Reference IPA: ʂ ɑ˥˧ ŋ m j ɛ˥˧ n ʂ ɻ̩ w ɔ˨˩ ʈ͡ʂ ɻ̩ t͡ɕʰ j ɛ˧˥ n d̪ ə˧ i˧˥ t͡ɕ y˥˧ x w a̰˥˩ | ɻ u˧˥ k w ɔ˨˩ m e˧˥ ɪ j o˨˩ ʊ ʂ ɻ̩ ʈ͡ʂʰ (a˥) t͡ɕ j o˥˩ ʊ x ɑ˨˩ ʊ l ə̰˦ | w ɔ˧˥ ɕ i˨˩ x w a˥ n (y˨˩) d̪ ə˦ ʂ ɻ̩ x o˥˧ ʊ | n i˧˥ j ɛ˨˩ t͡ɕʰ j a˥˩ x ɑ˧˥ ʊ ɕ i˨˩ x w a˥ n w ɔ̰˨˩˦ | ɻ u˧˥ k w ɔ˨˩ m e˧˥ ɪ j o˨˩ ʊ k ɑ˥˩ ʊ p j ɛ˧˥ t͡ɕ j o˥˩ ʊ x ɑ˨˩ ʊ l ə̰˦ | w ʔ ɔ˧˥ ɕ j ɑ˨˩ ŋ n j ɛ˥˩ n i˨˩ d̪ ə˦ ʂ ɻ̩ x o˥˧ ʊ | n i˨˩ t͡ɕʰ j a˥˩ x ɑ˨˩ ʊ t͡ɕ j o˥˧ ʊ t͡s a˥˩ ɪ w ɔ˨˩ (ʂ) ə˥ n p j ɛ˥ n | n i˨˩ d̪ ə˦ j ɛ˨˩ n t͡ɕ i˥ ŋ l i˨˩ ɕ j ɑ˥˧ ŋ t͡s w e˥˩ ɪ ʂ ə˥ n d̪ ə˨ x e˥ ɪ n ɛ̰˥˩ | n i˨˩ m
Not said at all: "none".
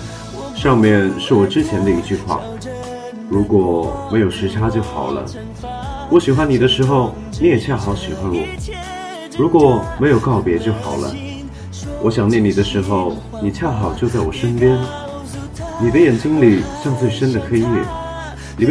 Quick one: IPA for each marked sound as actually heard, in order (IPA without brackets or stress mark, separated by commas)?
a˥, i˨˩, ʂ